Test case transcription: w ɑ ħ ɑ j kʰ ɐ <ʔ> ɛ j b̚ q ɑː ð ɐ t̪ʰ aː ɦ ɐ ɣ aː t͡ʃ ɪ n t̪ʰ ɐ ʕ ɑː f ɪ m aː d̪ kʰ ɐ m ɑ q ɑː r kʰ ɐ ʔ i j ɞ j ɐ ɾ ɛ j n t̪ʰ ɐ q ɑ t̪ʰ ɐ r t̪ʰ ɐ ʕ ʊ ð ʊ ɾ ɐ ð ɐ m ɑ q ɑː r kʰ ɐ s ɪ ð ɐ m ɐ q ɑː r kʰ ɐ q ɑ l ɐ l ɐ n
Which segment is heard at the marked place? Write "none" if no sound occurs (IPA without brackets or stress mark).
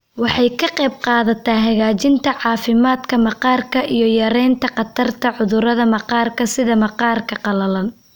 q